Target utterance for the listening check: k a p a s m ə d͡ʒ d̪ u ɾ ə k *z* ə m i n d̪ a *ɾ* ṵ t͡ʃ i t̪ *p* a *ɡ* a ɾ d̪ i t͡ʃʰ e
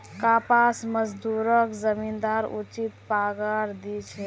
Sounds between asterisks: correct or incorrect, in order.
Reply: correct, correct, correct, correct

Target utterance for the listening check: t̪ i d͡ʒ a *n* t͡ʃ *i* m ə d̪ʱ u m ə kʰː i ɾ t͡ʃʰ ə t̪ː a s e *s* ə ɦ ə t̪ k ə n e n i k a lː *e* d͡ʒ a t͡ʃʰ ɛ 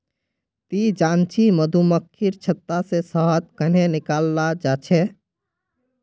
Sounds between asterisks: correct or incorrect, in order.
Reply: correct, correct, correct, incorrect

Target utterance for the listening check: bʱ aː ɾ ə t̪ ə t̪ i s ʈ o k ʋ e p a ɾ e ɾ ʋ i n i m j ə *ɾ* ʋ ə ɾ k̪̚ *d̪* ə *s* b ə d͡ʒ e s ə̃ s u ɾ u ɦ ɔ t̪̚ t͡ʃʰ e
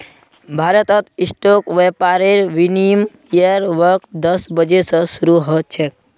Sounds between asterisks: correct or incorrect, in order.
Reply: correct, correct, correct

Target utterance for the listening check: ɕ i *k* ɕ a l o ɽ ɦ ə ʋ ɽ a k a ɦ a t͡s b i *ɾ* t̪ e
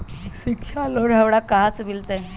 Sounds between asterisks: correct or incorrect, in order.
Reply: correct, incorrect

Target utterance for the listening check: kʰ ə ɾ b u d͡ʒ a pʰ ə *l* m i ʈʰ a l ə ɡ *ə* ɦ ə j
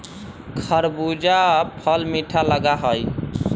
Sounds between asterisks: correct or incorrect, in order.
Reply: correct, incorrect

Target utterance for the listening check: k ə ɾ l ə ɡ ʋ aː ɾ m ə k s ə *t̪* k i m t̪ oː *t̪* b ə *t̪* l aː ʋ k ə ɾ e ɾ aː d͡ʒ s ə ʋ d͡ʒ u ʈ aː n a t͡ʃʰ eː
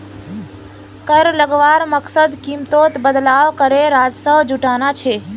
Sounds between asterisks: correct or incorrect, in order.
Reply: incorrect, correct, incorrect

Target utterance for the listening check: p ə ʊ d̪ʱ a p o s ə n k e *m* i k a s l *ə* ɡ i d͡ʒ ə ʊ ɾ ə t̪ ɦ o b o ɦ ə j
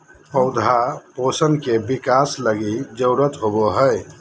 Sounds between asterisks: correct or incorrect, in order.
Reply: incorrect, correct

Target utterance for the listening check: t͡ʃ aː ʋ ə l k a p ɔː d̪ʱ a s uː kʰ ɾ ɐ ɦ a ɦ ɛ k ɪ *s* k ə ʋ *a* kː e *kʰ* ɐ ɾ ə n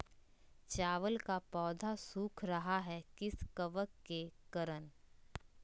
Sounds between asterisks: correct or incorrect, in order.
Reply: correct, incorrect, incorrect

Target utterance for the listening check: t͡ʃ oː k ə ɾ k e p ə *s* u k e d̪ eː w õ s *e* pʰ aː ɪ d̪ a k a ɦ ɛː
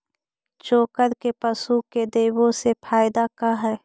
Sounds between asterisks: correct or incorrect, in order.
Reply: correct, correct

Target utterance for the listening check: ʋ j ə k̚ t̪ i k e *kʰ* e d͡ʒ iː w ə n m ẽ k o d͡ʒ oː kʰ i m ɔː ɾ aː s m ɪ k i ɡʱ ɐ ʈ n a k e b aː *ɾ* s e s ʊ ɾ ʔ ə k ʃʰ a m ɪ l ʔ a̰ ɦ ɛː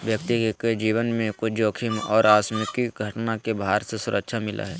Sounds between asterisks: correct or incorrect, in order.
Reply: incorrect, correct

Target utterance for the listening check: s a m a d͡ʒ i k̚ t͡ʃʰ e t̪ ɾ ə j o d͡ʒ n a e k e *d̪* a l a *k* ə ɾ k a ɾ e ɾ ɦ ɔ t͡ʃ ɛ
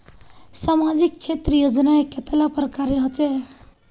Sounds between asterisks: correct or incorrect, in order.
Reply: incorrect, incorrect

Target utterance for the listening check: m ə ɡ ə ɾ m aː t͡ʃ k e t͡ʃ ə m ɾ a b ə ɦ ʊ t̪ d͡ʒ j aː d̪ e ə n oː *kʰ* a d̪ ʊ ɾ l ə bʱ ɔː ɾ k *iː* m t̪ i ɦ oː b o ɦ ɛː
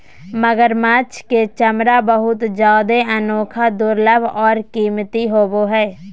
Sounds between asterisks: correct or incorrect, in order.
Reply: correct, correct

